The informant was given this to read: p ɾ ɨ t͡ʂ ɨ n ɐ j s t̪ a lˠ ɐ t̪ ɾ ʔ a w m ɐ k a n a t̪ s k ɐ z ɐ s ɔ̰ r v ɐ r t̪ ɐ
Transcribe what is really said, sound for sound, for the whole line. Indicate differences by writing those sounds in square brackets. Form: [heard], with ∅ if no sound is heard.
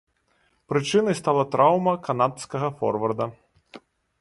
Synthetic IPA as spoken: p ɾ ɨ t͡ʂ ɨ n ɐ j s t̪ a lˠ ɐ t̪ ɾ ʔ a w m ɐ k a n a t̪ s k ɐ [ɣ] ɐ [f] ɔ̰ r v ɐ r [d̪] ɐ